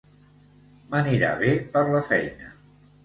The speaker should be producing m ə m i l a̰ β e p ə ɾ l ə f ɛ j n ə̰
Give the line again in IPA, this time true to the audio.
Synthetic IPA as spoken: m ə n i ɾ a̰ β e p ə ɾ l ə f ɛ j n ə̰